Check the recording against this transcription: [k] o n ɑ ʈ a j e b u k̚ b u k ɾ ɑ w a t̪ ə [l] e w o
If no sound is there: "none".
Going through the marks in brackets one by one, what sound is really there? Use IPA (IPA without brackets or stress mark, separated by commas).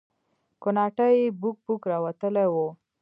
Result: k, l